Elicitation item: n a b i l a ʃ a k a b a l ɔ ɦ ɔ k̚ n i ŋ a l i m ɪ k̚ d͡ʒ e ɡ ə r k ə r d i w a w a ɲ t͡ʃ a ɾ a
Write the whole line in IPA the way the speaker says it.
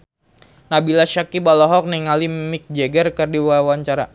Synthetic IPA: n a b i l a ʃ a k i b a l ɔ ɦ ɔ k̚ n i ŋ a l i m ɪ k̚ d͡ʒ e ɡ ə r k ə r d i w a w a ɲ t͡ʃ a ɾ a